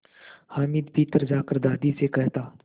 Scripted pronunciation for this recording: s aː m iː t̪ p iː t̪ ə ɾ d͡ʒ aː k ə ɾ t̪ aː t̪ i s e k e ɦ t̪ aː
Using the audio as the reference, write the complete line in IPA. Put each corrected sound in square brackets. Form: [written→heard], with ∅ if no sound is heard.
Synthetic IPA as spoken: [s→h] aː m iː [t̪→d̪] p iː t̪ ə ɾ d͡ʒ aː k ə ɾ [t̪→d̪] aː [t̪→d̪] i s e k [e→ɛ] ɦ t̪ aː

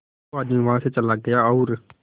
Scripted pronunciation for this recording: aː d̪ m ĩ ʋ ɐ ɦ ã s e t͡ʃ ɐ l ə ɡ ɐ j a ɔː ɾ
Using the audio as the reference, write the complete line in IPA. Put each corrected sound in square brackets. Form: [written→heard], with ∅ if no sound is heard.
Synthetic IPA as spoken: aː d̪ m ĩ ʋ ɐ ɦ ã s e t͡ʃ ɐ l [ə→a] ɡ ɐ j a ɔː ɾ

